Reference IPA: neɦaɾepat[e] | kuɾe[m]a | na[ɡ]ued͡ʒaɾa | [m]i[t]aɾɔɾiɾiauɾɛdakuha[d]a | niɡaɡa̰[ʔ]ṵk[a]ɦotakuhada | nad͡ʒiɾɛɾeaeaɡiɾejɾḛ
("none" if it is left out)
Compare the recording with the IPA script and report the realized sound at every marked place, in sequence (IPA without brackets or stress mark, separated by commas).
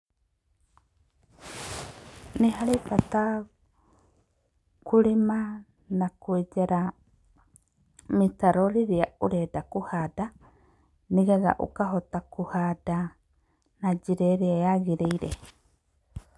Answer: a, m, k, m, t, d, ʔ, a